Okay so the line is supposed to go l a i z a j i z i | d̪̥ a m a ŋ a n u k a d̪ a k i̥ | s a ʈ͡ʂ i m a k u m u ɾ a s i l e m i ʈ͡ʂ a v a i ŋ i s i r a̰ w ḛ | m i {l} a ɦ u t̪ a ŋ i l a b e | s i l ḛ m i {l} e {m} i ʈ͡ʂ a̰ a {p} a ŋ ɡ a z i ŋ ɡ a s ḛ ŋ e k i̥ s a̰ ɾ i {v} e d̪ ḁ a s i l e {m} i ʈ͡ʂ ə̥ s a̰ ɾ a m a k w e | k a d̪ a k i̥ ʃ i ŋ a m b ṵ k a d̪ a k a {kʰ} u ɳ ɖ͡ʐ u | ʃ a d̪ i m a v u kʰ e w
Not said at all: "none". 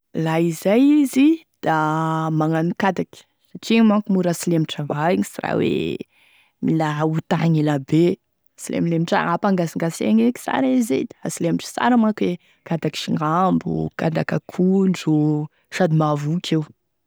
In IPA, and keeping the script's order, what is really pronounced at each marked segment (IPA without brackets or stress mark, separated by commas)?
l, l, m, p, z, m, kʰ